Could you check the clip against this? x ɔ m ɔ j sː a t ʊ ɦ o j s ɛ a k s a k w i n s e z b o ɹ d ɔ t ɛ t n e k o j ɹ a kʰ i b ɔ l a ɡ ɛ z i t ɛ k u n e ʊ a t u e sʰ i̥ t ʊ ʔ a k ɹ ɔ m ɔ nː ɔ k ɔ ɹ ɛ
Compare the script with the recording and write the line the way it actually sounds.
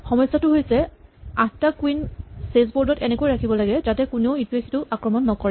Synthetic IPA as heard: x ɔ m ɔ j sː a t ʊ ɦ o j s ɛ a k t a k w i n s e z b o ɹ d ɔ t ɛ n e k o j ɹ a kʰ i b ɔ l a ɡ ɛ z a t ɛ k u n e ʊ i t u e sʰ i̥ t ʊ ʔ a k ɹ ɔ m ɔ nː ɔ k ɔ ɹ ɛ

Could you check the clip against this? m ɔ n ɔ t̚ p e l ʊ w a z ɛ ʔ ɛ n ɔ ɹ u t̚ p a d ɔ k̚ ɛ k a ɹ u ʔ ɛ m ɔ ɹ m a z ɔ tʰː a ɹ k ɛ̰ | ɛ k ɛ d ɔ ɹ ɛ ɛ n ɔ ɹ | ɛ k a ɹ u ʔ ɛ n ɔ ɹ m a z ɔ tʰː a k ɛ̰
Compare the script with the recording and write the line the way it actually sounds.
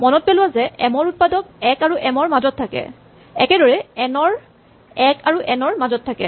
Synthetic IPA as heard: m ɔ n ɔ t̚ p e l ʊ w a z ɛ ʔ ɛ m ɔ ɹ u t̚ p a d ɔ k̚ ɛ k a ɹ u ʔ ɛ m ɔ ɹ m a z ɔ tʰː a k ɛ̰ | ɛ k ɛ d ɔ ɹ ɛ ɛ n ɔ ɹ | ɛ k a ɹ u ʔ ɛ n ɔ ɹ m a z ɔ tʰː a k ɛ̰

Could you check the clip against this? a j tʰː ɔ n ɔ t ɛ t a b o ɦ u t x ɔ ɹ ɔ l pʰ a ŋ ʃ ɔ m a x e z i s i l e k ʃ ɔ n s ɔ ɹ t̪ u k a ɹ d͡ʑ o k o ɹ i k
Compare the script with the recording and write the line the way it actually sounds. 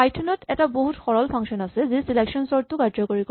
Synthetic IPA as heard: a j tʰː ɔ n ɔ t ɛ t a b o ɦ u t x ɔ ɹ ɔ l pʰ a ŋ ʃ ɔ n a s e z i s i l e k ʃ ɔ n s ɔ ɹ t̪ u k a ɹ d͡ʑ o k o ɹ i k

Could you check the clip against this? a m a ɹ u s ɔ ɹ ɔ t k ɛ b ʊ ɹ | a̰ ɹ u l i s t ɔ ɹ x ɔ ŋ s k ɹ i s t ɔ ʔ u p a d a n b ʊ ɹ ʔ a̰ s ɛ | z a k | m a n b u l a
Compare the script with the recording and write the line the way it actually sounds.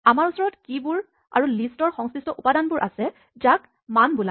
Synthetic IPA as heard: a m a ɹ u s ɔ ɹ ɔ t k i b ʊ ɹ | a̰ ɹ u l i s t ɔ ɹ x ɔ ŋ s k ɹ i s t ɔ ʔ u p a d a n b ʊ ɹ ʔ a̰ s ɛ | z a k | m a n b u l a

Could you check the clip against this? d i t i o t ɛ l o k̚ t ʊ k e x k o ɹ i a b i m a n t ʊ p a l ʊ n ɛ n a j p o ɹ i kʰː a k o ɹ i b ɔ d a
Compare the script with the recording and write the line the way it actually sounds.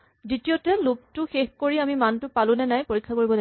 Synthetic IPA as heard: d i t i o t ɛ l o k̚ t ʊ x e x k o ɹ i a m i m a n t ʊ p a l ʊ n ɛ n a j p o ɹ i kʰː a k o ɹ i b ɔ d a

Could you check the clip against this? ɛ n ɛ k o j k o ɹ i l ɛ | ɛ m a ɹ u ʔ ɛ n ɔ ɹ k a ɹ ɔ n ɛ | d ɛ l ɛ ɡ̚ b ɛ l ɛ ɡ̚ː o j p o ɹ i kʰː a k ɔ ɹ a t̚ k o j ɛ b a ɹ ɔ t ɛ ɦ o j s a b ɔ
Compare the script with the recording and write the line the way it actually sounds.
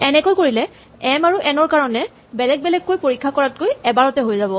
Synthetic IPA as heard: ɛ n ɛ k o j k o ɹ i l ɛ | ɛ m a ɹ u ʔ ɛ n ɔ ɹ k a ɹ ɔ n ɛ | b ɛ l ɛ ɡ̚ b ɛ l ɛ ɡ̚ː o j p o ɹ i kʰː a k ɔ ɹ a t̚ k o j ɛ b a ɹ ɔ t ɛ ɦ o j z a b ɔ

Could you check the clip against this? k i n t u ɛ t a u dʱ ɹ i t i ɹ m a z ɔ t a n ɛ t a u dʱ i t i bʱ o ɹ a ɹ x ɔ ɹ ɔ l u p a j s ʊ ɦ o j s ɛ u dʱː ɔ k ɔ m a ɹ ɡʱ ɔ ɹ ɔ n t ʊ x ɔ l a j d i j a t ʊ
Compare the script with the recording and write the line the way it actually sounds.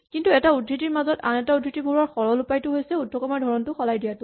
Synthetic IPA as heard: k i n t u ɛ t a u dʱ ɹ i t i ɹ m a z ɔ t a n ɛ t a u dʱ i t i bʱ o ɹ a ɹ x ɔ ɹ ɔ l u p a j t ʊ ɦ o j s ɛ u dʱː ɔ k ɔ m a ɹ dʱ ɔ ɹ ɔ n t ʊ x ɔ l a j d i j a t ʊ

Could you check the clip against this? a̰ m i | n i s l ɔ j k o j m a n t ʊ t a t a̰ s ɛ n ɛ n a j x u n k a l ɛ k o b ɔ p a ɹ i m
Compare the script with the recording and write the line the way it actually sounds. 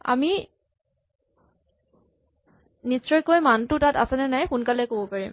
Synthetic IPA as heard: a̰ m i | n i s ɹ ɔ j k o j m a n t ʊ t a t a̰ s ɛ n ɛ n a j x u n k a l ɛ k o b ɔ p a ɹ i m

